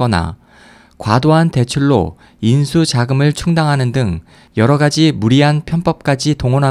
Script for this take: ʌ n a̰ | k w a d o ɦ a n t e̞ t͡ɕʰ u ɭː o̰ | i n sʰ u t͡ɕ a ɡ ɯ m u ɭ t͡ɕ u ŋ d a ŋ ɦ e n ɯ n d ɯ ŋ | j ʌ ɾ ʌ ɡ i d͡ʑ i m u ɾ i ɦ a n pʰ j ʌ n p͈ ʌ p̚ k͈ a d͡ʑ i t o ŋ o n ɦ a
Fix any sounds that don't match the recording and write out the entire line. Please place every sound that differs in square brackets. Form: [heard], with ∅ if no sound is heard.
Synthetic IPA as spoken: ʌ n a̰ | k w a d o ɦ a n t e̞ t͡ɕʰ u ɭː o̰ | i n sʰ u t͡ɕ a ɡ ɯ m [ɯ] ɭ [t͡ɕʰ] u ŋ d a ŋ ɦ [a] n ɯ n d ɯ ŋ | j ʌ ɾ ʌ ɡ [a] d͡ʑ i m u ɾ i ɦ a n pʰ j ʌ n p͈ ʌ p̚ k͈ a d͡ʑ i t o ŋ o n ɦ a